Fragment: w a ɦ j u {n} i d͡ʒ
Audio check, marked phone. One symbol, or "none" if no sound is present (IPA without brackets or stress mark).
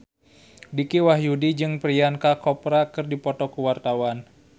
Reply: d